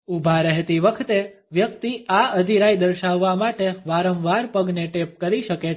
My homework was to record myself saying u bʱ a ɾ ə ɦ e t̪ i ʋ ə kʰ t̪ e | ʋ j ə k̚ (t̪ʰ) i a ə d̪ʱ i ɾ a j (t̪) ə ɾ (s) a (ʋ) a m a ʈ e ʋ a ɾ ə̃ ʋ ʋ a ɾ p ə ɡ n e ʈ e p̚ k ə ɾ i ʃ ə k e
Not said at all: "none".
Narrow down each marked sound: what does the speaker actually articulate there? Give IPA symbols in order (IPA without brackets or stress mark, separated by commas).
t̪, d̪, ʃ, ʋː